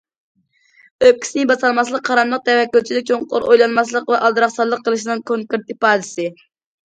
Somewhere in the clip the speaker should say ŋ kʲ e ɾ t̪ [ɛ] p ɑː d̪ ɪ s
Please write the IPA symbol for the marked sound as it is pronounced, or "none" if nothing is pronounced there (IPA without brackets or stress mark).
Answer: i